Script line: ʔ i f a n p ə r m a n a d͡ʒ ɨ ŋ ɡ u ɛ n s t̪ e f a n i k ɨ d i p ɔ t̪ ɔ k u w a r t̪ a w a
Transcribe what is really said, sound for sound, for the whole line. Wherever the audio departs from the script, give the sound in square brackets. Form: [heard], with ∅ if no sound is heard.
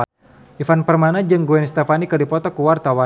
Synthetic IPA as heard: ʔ i f a n p ə r m a n a d͡ʒ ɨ ŋ ɡ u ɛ n s t̪ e f a n i k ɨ d i p ɔ t̪ ɔ k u w a r t̪ a w a